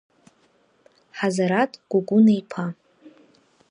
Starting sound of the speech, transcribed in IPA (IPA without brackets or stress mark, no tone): ħ